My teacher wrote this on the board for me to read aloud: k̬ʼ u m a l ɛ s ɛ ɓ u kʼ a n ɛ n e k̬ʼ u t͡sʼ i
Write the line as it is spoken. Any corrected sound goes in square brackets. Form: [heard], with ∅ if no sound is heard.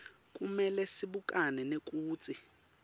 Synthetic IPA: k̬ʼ u m [ɛ] l ɛ s [i] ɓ u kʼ a n ɛ n e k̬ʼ [uː] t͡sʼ i